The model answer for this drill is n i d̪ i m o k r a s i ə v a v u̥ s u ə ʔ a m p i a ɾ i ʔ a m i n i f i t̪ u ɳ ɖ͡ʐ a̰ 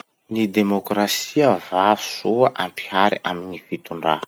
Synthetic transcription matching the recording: n i d̪ e m o k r a s i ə v a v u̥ s u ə ʔ a m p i a ɾ i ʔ a m i n i f i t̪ u ɳ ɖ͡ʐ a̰